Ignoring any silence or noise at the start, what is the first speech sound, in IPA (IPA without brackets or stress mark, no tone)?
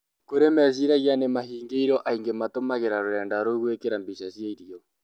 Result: k